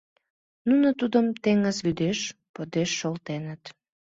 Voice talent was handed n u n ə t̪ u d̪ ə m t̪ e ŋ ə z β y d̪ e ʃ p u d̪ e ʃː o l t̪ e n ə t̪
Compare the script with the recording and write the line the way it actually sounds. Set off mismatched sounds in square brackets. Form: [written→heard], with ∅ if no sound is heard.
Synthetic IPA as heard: n u n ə t̪ u d̪ ə m t̪ e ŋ ə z β y d̪ e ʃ p [u→o] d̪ e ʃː o l t̪ e n ə t̪